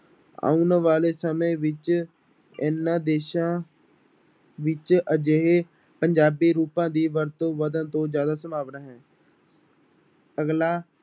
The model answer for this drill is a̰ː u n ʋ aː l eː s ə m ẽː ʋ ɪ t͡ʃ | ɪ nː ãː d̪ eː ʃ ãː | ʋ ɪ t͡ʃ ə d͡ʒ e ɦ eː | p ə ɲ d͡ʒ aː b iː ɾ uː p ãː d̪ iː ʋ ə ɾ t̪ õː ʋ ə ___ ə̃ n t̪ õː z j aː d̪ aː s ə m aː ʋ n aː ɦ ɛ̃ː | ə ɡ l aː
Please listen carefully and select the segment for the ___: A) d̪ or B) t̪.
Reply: A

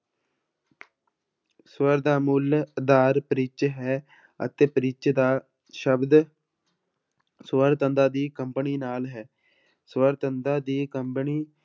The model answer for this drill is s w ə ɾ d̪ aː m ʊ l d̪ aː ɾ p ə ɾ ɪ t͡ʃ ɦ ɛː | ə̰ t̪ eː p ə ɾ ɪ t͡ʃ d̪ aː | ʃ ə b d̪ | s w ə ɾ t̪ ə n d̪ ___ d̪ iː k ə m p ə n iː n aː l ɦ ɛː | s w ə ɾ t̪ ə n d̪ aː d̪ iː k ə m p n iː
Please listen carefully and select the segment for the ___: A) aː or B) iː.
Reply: A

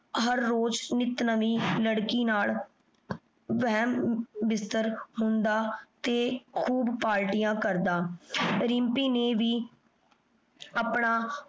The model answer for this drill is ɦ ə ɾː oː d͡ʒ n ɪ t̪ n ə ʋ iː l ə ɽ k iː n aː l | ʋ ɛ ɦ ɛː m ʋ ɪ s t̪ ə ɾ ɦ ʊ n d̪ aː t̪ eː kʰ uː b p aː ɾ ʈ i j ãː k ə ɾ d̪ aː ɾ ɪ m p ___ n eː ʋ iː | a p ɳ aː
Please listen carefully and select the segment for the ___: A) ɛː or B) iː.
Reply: B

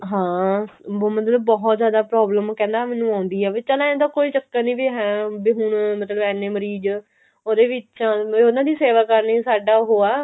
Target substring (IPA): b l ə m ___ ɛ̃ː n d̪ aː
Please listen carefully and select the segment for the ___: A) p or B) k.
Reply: B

